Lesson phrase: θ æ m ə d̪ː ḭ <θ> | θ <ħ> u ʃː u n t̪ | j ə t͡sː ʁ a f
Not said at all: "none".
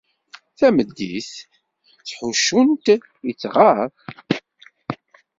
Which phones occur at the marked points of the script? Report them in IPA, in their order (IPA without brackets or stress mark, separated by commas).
θ, ħ